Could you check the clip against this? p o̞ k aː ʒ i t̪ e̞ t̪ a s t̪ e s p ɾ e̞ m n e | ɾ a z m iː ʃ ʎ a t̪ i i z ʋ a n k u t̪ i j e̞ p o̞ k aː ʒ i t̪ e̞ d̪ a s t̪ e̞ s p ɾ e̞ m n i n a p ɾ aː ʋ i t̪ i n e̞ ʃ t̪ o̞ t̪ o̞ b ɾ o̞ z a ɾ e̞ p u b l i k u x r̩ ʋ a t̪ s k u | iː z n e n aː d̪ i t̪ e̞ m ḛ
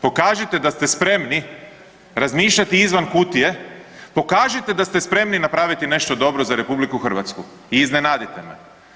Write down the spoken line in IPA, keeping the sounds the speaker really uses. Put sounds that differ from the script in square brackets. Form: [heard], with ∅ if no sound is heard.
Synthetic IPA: p o̞ k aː ʒ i t̪ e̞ [d̪] a s t̪ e s p ɾ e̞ m n [i] | ɾ a z m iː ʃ ʎ a t̪ i i z ʋ a n k u t̪ i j e̞ p o̞ k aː ʒ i t̪ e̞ d̪ a s t̪ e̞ s p ɾ e̞ m n i n a p ɾ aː ʋ i t̪ i n e̞ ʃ t̪ o̞ [d̪] o̞ b ɾ o̞ z a ɾ e̞ p u b l i k u x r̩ ʋ a t̪ s k u | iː z n e n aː d̪ i t̪ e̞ m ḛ